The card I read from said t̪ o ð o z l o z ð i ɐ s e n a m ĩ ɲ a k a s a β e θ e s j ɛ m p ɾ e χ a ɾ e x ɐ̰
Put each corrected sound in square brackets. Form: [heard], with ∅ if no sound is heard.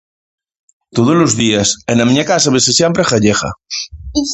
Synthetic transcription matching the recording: t̪ o ð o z l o z ð i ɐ s e n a m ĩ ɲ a k a s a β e [s] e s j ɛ m p ɾ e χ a [ʎ] e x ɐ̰